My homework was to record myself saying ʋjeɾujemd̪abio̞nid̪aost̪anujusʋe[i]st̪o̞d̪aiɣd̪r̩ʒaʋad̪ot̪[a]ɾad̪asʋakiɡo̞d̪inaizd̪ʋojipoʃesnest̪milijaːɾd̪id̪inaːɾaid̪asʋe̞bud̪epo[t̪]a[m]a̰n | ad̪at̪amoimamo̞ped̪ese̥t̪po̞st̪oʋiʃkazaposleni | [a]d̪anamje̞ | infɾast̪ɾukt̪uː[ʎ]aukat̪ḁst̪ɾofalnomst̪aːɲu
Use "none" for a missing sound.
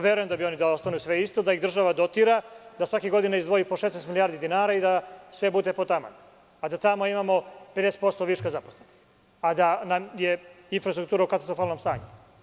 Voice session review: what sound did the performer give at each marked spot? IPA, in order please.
i, i, t̪, m, a, ɾ

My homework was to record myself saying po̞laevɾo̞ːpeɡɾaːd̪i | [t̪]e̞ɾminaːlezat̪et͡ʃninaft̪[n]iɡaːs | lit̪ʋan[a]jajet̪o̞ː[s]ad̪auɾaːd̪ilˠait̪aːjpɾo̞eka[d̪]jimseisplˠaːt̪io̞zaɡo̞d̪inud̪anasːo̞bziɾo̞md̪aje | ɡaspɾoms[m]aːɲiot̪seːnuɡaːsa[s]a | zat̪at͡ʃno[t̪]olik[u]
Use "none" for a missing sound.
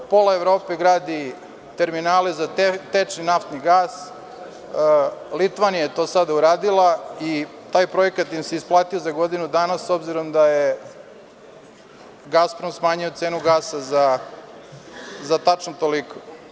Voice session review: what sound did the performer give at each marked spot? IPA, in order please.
t̪, n, i, s, t̪, m, z, t̪, o

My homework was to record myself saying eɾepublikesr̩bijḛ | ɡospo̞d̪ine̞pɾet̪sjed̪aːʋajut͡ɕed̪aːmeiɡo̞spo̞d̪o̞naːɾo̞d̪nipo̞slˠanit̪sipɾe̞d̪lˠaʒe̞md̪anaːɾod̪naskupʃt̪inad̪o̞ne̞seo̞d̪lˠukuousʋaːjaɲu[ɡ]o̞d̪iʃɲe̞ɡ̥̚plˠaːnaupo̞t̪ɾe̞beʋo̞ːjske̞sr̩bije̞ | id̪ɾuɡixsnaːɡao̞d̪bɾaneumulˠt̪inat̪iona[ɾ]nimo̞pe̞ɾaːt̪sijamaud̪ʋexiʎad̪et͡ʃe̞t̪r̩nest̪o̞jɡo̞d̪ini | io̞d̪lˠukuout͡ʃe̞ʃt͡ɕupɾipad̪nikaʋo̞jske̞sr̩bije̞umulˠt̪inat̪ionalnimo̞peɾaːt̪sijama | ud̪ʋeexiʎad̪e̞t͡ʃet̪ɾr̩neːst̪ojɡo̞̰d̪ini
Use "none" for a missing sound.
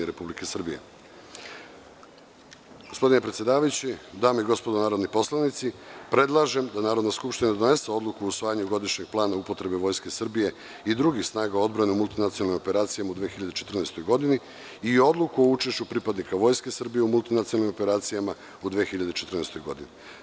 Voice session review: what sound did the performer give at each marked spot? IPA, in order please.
ɡ, l

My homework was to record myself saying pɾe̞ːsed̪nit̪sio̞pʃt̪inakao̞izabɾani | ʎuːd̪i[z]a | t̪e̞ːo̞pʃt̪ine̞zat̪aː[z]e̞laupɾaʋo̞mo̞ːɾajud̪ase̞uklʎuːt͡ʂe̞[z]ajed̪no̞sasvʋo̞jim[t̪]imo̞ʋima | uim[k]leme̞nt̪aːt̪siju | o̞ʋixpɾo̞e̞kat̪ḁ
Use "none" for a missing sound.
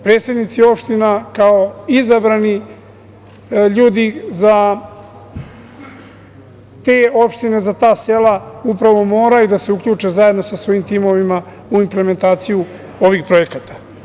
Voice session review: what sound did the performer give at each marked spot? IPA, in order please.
z, s, z, t̪, p

